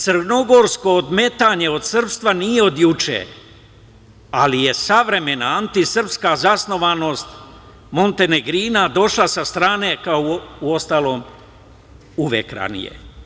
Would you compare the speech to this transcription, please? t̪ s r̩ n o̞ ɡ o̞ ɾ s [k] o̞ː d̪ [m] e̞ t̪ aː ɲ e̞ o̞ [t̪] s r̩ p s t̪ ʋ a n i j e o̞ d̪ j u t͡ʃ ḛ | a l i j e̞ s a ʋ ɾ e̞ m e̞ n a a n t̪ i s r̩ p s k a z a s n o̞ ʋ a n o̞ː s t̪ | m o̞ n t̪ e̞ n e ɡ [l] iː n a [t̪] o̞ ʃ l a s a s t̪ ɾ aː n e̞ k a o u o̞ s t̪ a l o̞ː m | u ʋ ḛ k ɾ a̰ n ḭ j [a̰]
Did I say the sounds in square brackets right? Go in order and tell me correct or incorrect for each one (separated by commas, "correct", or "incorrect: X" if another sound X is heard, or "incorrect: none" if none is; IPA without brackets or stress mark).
correct, correct, incorrect: d̪, incorrect: ɾ, incorrect: d̪, incorrect: ḛ